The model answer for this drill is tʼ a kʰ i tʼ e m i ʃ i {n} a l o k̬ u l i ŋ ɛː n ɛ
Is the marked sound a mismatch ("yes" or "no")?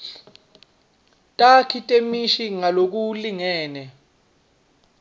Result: yes